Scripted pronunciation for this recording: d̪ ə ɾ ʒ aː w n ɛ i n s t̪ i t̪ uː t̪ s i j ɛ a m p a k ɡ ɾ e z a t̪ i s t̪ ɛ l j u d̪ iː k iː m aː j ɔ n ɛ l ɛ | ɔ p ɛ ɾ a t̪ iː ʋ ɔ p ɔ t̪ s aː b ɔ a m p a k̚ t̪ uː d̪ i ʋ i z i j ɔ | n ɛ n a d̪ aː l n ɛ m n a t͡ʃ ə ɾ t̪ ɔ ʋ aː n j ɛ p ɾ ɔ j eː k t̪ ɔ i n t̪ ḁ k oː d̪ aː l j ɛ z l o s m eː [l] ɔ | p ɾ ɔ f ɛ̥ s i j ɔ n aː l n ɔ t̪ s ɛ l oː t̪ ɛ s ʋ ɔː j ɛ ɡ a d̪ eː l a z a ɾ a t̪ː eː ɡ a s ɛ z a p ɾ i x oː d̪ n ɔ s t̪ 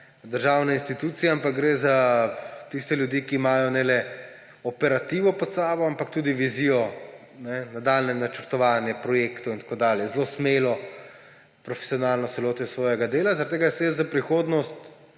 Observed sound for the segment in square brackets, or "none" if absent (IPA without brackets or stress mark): l